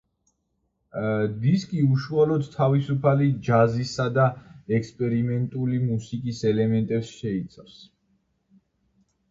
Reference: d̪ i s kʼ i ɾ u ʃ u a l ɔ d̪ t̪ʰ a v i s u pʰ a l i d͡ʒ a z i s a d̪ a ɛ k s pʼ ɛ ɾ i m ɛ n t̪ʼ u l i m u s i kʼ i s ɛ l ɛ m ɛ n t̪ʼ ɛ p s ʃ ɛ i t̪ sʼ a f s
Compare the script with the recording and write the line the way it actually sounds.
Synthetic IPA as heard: d̪ i s kʼ i u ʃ u a l ɔ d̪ t̪ʰ a v i s u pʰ a l i d͡ʒ a z i s a d̪ a ɛ k s pʼ ɛ ɾ i m ɛ n t̪ʼ u l i m u s i kʼ i s ɛ l ɛ m ɛ n t̪ʼ ɛ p s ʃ ɛ i t̪ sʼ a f s